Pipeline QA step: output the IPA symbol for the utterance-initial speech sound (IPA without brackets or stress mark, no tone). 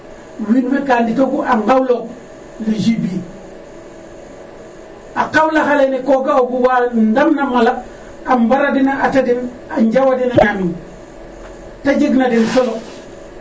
w